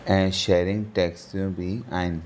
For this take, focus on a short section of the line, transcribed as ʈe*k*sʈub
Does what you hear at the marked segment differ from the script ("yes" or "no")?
no